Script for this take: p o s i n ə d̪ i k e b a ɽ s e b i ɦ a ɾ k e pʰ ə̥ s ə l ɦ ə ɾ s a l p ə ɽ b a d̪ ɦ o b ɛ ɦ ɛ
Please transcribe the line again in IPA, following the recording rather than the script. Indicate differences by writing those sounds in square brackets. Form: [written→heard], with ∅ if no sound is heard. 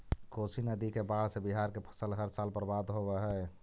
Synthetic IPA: [p→k] o s i n ə d̪ i k e b a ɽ s e b i ɦ a ɾ k e pʰ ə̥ s ə l ɦ ə ɾ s a l p ə [ɽ→ɾ] b a d̪ ɦ o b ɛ ɦ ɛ